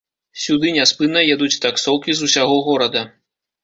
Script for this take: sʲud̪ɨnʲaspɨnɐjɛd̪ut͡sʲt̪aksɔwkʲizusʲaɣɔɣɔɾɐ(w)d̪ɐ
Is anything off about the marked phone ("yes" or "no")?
yes